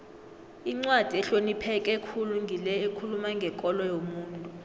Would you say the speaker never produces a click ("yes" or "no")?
no